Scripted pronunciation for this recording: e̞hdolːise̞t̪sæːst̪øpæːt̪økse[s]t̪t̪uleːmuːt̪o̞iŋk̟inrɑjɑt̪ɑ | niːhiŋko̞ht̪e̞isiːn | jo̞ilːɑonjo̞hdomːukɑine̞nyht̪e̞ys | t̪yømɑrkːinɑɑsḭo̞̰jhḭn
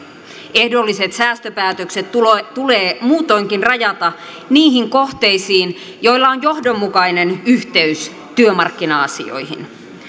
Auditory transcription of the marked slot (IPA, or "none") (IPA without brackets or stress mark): none